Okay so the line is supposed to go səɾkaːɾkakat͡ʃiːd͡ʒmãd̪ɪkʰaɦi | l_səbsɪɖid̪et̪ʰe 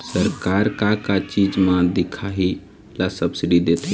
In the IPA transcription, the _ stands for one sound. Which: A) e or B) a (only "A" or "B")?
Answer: B